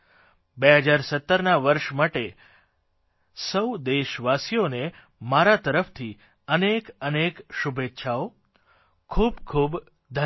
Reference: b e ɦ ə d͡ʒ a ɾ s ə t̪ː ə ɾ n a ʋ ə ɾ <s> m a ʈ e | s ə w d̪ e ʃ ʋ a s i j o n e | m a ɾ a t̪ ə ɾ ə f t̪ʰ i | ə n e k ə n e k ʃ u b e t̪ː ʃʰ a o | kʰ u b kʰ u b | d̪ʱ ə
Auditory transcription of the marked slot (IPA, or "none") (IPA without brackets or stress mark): ʃ